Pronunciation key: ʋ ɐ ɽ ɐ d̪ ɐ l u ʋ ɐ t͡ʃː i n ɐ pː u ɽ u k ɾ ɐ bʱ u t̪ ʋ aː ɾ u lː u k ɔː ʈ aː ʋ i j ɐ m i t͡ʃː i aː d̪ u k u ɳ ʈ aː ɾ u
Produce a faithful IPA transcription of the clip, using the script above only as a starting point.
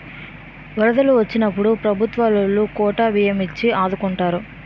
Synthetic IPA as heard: ʋ ɐ ɾ ɐ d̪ ɐ l u ʋ ɐ t͡ʃː i n ɐ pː u ɽ u p ɾ ɐ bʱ u t̪ ʋ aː l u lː u k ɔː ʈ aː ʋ i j ɐ m i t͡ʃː i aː d̪ u k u ɳ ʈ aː ɾ u